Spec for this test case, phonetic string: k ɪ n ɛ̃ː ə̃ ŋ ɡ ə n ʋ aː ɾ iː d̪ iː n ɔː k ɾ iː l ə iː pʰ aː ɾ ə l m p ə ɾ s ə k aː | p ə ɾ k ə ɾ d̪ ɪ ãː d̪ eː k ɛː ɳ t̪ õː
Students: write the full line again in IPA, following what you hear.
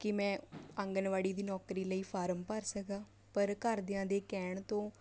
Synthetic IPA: k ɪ m ɛ̃ː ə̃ ŋ ɡ ə n ʋ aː ɽ iː d̪ iː n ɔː k ɾ iː l ə iː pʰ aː ɾ ə m p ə ɾ s ə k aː | p ə ɾ k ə ɾ d̪ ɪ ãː d̪ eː k ɛː ɳ t̪ õː